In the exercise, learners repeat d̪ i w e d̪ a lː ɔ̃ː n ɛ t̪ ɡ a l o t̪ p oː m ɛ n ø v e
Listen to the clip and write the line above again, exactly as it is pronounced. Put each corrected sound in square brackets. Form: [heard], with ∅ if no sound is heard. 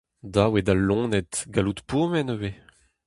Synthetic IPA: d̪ [a] w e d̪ a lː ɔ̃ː n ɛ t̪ ɡ a l [u] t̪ p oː m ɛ n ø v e